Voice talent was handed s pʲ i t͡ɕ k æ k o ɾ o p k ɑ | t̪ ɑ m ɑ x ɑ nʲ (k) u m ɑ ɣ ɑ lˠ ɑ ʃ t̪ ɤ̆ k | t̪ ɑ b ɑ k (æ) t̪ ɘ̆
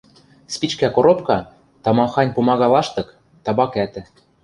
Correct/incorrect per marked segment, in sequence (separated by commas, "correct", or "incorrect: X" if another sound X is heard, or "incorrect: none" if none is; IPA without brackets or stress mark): incorrect: p, correct